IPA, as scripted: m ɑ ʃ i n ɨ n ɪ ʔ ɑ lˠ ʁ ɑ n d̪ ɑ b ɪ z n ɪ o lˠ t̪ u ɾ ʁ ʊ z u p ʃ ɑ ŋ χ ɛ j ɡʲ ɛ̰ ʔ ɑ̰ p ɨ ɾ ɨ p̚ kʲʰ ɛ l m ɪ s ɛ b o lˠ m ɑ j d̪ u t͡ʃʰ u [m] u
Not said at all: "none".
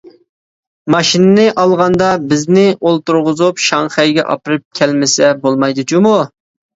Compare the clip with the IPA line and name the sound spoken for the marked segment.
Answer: m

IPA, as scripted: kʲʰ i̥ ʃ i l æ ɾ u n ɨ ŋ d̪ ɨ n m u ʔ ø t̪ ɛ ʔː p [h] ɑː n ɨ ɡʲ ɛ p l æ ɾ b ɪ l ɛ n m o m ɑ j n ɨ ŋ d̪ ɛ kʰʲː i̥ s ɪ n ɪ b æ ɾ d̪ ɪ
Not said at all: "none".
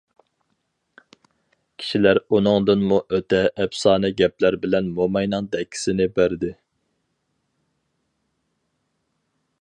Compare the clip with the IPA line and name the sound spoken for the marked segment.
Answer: s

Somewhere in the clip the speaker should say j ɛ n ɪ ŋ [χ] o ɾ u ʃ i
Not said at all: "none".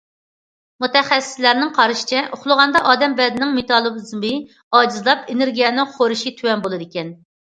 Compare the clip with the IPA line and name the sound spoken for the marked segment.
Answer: χ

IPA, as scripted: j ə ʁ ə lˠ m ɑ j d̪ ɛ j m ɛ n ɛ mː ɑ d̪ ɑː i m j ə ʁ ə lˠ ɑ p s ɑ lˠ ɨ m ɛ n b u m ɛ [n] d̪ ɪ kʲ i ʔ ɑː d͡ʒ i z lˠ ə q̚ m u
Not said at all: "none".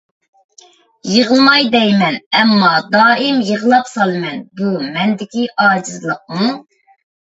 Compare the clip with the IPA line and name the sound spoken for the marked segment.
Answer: n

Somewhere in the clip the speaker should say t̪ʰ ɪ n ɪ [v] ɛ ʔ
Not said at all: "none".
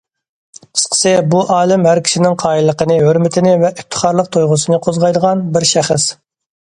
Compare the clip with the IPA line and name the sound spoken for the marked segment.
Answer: v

